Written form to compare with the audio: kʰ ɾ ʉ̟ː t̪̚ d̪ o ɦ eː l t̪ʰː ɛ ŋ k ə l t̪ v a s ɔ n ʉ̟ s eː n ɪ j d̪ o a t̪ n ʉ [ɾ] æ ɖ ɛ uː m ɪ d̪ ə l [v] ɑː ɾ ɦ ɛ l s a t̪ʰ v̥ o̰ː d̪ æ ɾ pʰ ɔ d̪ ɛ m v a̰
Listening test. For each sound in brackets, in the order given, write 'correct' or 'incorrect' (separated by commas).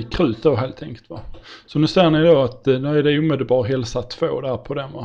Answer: incorrect, incorrect